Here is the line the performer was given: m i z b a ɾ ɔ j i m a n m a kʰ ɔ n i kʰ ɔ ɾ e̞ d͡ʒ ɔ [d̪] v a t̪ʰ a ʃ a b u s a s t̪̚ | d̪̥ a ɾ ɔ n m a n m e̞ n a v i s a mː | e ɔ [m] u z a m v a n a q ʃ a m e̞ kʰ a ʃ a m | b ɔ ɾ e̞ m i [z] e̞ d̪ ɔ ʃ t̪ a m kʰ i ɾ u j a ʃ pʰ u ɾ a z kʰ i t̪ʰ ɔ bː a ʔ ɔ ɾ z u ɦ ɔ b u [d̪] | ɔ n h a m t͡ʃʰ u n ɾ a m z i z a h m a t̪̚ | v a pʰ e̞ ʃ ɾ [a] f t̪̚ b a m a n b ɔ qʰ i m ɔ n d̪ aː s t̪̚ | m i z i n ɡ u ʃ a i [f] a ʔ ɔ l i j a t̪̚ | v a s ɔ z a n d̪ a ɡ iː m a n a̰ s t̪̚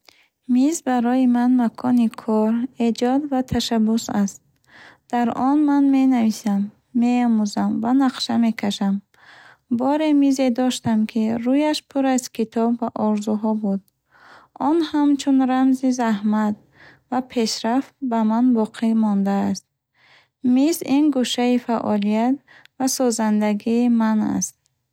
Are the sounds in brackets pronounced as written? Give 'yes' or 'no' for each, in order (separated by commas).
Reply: yes, yes, yes, yes, yes, yes